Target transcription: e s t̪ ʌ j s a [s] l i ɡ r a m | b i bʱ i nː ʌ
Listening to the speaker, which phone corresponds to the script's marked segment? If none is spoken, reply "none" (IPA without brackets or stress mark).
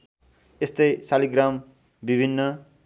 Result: none